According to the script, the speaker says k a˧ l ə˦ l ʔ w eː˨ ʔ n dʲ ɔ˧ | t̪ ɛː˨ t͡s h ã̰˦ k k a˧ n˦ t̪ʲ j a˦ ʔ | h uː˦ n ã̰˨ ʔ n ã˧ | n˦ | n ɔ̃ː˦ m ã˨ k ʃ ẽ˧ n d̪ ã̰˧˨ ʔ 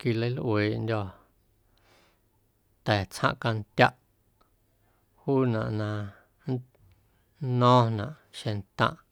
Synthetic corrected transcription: k i˧ l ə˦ l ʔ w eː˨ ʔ n dʲ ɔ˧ | t̪ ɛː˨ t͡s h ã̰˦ ʔ k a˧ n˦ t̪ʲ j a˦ ʔ | h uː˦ n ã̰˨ ʔ n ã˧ | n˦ | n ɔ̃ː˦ n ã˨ ʔ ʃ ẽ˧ n t̪ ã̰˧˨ ʔ